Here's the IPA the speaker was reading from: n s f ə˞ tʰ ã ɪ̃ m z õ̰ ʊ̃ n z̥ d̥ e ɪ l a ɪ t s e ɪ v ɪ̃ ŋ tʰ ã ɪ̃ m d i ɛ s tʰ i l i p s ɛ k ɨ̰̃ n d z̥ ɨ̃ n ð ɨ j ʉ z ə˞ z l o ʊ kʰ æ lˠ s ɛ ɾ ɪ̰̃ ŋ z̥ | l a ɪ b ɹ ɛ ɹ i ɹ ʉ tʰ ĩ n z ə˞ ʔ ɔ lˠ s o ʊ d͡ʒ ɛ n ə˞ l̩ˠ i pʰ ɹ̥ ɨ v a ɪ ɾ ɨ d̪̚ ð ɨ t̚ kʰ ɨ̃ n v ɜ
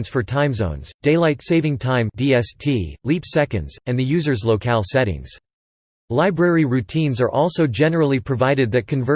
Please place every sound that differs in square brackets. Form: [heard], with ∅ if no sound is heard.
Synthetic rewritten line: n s f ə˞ tʰ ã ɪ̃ m z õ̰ ʊ̃ n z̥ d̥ e ɪ l a ɪ t s e ɪ v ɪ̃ ŋ tʰ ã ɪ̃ m d i ɛ s tʰ i l i p s ɛ k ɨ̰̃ n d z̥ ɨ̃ n ð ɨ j ʉ z ə˞ z l o ʊ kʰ æ lˠ s ɛ ɾ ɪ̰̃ ŋ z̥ | l a ɪ b ɹ ɛ ɹ i ɹ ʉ tʰ ĩ n z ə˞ ʔ ɔ lˠ s o ʊ d͡ʒ ɛ n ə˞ l̩ˠ i pʰ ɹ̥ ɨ v a ɪ ɾ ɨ d̪̚ ð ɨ t̚ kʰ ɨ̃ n v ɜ